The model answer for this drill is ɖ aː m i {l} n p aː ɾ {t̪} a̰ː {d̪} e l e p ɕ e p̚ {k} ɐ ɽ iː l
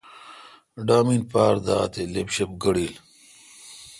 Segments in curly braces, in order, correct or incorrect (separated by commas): incorrect, incorrect, incorrect, incorrect